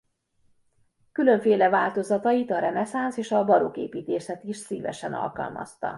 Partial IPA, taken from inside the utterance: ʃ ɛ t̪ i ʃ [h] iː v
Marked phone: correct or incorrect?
incorrect